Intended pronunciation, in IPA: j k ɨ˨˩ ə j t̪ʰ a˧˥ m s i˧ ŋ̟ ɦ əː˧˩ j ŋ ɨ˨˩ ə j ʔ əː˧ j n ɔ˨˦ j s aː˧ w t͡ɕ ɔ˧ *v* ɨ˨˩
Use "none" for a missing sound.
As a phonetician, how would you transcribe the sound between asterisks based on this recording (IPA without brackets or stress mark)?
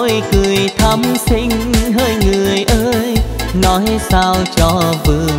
v